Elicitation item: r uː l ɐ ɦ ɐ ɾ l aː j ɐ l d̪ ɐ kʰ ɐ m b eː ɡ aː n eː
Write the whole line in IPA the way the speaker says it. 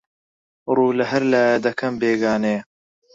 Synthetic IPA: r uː l ɐ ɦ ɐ ɾ l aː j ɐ d̪ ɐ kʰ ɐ m b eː ɡ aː n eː